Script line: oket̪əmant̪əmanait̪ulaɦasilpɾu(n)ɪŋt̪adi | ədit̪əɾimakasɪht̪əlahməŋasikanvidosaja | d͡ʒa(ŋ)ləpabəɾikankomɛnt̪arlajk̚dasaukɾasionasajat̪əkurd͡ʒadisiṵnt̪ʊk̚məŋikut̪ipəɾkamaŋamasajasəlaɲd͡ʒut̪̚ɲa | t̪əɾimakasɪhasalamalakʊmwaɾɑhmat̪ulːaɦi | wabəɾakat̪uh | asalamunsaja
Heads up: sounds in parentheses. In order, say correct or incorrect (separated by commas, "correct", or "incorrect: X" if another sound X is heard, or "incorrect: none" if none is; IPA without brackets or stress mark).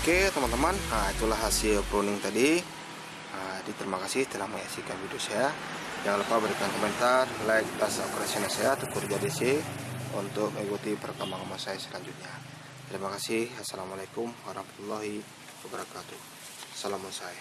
correct, correct